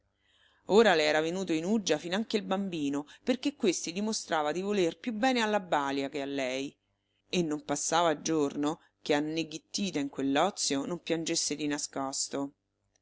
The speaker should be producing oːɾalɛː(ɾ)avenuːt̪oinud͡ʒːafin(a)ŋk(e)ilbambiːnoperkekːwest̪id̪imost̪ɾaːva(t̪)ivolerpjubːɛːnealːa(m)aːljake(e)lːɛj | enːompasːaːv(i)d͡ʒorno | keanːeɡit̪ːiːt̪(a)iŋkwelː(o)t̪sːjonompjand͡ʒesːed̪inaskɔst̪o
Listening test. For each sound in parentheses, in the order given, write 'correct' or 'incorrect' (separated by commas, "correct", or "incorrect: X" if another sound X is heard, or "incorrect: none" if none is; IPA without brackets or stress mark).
correct, correct, correct, incorrect: d̪, incorrect: b, incorrect: a, incorrect: a, correct, incorrect: ɔ